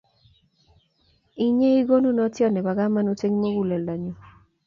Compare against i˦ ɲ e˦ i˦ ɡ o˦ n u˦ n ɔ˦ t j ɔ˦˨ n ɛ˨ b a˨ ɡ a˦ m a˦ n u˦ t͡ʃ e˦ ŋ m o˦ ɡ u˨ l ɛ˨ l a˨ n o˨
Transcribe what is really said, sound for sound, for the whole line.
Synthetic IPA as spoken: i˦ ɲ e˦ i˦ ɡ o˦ n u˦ n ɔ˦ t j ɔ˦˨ n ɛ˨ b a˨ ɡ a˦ m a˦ n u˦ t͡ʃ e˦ ŋ m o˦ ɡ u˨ l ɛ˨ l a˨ ɲ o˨

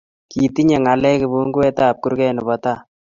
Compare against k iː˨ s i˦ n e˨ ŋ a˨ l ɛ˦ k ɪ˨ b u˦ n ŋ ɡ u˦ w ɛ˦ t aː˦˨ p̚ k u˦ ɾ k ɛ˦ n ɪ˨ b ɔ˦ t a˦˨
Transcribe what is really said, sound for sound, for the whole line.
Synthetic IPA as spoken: k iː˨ t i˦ ɲ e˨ ŋ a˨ l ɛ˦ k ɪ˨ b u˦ ŋ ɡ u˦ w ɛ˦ t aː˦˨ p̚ k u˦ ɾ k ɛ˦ n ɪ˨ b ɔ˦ t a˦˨

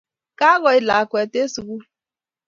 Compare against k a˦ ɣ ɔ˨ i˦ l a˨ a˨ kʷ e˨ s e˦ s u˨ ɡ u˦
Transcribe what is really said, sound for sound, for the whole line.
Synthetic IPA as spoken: k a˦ ɣ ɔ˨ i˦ l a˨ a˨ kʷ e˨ t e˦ s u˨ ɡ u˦

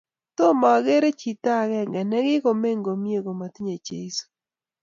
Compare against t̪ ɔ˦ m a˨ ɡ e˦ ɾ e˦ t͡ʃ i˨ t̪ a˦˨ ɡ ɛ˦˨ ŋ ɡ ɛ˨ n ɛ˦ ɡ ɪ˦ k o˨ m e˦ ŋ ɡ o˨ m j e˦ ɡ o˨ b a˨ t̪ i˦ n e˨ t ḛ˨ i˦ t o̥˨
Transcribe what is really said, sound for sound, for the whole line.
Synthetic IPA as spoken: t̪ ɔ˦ m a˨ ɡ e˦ ɾ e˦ t͡ʃ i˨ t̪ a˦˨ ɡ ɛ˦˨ ŋ ɡ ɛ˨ n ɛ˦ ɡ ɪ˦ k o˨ m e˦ ŋ ɡ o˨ m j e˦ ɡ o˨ m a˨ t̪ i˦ ɲ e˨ t͡ʃ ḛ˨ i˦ s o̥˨

